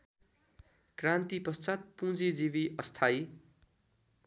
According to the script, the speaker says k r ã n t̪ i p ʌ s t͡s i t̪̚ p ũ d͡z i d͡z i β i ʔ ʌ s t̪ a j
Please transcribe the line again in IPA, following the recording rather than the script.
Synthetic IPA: k r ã n t̪ i p ʌ s t͡s a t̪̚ p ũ d͡z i d͡z i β i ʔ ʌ s t̪ʰ a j